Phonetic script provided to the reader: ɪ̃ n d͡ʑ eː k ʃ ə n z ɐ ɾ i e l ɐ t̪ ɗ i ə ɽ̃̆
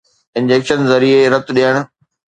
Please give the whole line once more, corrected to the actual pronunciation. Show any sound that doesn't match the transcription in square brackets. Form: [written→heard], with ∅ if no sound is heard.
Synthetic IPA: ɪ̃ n d͡ʑ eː k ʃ ə n z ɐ ɾ i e [l→ɾ] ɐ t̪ ɗ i ə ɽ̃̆

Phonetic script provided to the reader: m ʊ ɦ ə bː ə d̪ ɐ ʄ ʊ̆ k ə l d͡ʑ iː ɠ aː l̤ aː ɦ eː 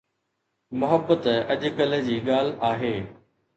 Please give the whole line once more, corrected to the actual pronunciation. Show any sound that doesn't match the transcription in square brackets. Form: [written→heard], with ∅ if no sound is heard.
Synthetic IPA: m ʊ ɦ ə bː ə [d̪→t̪] ɐ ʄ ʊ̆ k ə l d͡ʑ iː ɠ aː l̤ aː ɦ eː

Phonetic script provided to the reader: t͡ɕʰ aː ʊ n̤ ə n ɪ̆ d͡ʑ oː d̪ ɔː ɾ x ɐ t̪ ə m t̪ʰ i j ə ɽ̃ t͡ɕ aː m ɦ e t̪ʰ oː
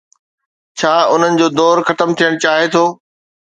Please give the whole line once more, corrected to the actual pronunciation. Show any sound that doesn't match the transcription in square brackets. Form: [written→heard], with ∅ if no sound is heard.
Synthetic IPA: t͡ɕʰ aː ʊ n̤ ə n ɪ̆ d͡ʑ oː d̪ ɔː ɾ x ɐ t̪ ə m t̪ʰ i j ə ɽ̃ t͡ɕ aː [m→∅] ɦ e t̪ʰ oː

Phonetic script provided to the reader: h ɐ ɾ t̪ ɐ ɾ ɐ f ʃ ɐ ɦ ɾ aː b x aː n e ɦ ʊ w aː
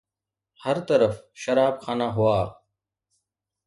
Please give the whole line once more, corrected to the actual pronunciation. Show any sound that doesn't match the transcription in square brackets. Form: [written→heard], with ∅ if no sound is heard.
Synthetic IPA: h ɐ ɾ t̪ ɐ ɾ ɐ f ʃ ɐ [ɦ→∅] ɾ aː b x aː n [e→a] ɦ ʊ w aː

